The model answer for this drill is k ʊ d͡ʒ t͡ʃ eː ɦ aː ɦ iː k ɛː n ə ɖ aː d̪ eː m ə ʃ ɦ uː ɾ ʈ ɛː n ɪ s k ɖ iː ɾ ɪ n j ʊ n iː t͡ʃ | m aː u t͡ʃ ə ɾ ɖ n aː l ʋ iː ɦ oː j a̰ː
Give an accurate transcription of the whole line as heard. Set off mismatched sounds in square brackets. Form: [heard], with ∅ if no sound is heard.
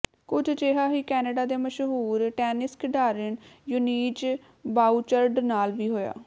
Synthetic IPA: k ʊ d͡ʒ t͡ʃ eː ɦ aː ɦ iː k ɛː n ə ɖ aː d̪ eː m ə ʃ ɦ uː ɾ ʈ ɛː n ɪ s k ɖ [aː] ɾ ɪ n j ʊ n iː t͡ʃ | [b] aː u t͡ʃ ə ɾ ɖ n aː l ʋ iː ɦ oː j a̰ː